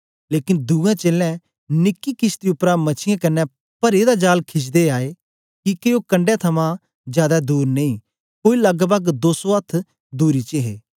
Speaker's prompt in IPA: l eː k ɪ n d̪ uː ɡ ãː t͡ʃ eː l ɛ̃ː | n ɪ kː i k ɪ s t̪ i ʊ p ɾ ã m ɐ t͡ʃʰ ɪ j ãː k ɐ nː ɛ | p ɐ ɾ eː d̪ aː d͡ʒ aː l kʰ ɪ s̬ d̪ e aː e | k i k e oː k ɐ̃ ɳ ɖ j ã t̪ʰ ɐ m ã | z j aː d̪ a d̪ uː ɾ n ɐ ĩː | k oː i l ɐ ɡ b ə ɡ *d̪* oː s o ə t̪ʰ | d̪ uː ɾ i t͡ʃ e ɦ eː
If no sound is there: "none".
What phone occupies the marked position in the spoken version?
d̪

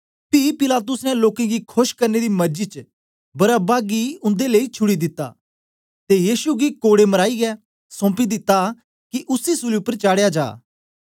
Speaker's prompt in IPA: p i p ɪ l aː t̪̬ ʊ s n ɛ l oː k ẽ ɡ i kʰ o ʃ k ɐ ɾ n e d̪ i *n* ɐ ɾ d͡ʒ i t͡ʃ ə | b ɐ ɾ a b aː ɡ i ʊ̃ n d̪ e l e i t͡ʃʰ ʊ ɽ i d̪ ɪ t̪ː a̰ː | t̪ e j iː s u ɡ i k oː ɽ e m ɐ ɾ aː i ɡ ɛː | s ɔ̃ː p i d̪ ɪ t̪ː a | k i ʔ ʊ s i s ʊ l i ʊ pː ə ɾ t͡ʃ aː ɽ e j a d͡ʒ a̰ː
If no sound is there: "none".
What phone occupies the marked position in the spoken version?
m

